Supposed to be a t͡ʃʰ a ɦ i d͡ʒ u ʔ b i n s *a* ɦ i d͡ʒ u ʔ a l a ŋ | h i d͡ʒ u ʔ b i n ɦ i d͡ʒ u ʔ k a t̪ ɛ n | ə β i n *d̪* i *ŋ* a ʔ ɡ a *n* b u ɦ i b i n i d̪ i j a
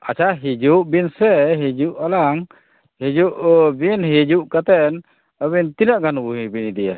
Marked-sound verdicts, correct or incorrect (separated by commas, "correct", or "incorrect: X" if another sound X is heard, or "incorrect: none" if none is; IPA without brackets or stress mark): incorrect: ɛ, incorrect: t̪, incorrect: n, correct